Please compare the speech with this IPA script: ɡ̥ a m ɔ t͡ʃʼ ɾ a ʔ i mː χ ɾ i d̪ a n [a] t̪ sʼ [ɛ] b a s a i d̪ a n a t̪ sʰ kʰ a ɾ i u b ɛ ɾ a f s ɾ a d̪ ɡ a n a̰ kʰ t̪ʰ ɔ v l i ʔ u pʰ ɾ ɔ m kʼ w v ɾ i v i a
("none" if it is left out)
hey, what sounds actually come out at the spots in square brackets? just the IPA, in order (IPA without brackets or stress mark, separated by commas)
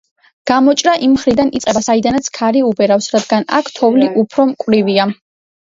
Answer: i, ɛ